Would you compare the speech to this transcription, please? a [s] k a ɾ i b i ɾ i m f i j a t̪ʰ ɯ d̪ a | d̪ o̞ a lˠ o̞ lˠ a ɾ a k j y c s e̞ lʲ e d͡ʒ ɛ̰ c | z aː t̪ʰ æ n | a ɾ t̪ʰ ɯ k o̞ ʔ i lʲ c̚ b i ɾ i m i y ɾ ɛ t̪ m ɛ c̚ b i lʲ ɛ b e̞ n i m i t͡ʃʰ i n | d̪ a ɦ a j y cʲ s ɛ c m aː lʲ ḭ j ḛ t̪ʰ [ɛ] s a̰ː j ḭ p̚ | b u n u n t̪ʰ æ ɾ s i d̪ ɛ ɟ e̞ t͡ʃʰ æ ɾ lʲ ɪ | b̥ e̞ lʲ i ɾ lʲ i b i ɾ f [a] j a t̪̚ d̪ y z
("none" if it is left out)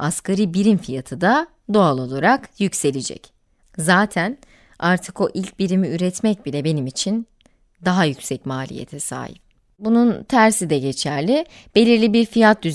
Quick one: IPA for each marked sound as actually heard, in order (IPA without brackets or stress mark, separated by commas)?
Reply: s, ɛ, i